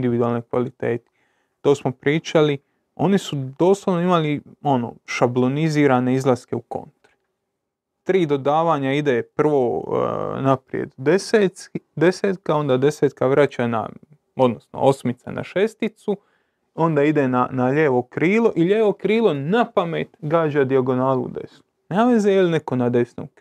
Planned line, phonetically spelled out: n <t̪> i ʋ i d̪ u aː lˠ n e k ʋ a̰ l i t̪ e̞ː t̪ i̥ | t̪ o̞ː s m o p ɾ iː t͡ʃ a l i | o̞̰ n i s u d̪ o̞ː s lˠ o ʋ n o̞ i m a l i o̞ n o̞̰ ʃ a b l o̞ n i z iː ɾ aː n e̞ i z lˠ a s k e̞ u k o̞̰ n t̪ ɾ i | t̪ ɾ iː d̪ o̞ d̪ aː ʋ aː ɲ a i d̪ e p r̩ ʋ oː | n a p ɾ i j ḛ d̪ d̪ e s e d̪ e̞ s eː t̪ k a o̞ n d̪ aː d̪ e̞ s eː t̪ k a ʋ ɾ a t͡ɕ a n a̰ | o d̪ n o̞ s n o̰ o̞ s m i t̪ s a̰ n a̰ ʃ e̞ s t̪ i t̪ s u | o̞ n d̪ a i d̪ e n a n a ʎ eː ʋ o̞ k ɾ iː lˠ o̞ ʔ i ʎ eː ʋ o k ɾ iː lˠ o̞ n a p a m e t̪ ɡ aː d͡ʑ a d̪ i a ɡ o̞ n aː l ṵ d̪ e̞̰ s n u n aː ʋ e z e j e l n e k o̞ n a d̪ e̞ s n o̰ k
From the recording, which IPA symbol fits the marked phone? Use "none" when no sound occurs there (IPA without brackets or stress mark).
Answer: d̪